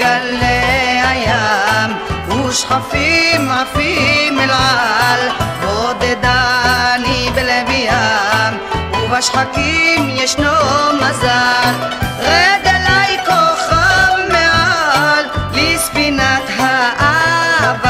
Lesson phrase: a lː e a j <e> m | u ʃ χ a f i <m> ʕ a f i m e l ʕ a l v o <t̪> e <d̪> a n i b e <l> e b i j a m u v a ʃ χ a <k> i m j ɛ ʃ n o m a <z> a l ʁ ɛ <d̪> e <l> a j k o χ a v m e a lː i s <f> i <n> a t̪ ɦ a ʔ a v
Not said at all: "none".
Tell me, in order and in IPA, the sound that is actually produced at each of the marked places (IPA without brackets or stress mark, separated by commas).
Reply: a, m, d̪, d̪, l, k, z, d̪, l, f, n